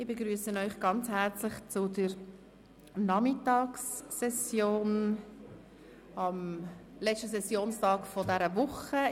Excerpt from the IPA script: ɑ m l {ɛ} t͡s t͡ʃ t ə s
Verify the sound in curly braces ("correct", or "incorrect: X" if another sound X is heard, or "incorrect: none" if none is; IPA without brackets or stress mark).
correct